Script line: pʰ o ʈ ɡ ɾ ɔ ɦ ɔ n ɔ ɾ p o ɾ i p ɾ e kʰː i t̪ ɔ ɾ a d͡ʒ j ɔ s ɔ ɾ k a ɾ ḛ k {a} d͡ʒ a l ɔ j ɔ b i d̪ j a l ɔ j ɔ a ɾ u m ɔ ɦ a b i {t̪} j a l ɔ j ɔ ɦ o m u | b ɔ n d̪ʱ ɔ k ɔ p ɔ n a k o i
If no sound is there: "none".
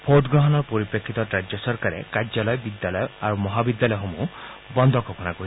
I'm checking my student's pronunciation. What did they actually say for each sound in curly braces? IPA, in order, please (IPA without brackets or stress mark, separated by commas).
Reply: a, d̪